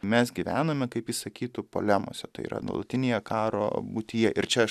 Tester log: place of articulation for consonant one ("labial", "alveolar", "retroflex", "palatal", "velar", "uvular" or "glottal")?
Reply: labial